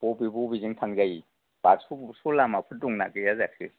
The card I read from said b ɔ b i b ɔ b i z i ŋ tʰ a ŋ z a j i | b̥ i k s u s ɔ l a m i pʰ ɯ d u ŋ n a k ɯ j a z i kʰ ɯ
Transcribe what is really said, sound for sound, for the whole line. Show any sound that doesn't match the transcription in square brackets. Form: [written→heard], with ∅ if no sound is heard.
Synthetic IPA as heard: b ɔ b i b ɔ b i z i ŋ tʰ a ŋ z a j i | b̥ [i→a] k s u s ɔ l a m [i→a] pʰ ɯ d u ŋ n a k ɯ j a z [i→a] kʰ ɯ